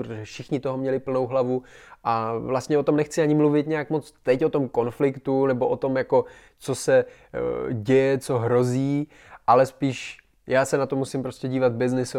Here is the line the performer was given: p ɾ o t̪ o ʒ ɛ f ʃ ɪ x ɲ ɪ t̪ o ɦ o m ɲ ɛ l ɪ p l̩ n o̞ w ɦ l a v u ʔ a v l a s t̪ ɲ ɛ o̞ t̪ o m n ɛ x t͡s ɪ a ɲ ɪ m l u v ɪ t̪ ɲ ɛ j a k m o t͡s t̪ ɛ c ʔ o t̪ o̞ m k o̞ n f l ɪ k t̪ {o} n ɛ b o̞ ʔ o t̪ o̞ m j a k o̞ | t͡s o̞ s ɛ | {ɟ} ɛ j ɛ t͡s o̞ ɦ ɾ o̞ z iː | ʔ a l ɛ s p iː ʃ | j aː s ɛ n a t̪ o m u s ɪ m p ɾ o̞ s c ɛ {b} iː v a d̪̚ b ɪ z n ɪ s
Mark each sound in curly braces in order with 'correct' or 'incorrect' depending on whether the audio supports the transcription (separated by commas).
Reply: incorrect, correct, incorrect